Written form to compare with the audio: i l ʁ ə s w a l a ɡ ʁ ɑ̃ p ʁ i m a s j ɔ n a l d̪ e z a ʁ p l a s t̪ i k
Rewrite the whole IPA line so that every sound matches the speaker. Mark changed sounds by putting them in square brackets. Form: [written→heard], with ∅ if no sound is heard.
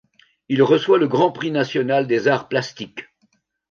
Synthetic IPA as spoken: i l ʁ ə s w a l [a→ə] ɡ ʁ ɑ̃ p [ʁ→χ] i [m→n] a s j ɔ n a l d̪ e z a ʁ p l a s t̪ i k